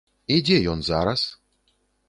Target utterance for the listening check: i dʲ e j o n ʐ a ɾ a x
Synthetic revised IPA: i dʲ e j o n z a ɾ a s